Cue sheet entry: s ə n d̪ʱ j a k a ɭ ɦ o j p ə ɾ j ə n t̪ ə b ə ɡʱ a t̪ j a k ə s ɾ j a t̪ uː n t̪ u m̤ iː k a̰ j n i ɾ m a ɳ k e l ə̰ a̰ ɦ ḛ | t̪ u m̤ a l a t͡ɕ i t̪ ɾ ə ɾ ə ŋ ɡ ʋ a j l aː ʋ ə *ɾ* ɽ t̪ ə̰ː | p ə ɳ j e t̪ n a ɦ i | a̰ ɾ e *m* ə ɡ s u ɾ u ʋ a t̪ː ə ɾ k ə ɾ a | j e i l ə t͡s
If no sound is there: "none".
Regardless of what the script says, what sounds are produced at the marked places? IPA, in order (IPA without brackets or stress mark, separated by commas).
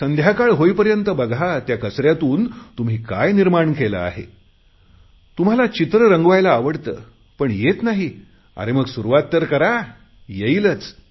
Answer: none, m